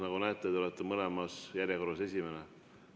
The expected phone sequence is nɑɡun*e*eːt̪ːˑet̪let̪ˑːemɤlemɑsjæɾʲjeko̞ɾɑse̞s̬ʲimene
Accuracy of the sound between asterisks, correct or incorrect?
incorrect: æ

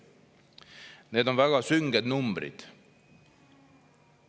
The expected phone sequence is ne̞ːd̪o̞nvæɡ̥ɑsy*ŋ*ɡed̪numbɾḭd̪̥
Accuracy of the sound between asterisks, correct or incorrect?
correct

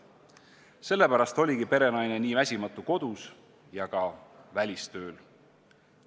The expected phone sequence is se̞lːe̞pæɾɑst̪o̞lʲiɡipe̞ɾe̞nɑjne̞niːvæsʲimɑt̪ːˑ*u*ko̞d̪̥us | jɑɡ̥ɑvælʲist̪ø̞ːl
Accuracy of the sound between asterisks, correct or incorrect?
correct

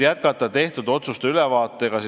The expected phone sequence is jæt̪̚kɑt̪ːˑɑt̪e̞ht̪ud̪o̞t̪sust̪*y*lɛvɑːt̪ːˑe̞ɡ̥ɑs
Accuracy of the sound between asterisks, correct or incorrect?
correct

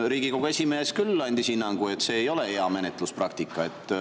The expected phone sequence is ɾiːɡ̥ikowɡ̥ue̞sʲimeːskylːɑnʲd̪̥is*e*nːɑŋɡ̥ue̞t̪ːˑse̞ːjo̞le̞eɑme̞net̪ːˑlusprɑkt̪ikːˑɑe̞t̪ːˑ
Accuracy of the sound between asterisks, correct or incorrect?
incorrect: i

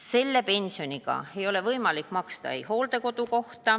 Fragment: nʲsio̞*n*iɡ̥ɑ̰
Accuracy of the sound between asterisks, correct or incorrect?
correct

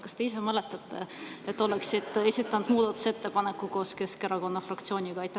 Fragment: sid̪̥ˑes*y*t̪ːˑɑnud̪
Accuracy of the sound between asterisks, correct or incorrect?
incorrect: i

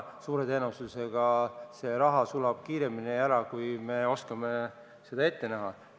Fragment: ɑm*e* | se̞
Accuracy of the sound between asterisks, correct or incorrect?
correct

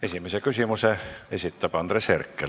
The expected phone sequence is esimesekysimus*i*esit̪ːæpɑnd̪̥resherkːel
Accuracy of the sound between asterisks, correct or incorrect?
incorrect: e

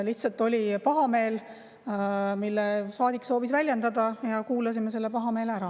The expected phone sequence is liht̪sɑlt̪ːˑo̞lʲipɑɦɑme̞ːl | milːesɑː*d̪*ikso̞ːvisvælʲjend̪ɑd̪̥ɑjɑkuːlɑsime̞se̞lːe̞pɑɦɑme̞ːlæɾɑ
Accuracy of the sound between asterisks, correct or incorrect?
correct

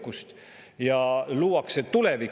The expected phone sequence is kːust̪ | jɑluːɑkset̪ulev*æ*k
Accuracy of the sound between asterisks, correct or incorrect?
incorrect: i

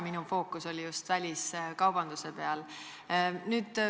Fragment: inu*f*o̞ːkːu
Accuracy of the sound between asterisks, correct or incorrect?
correct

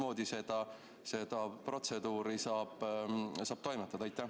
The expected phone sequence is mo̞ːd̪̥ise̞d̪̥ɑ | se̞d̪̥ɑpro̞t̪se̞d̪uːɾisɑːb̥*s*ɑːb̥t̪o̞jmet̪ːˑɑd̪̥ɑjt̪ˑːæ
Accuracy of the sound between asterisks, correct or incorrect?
correct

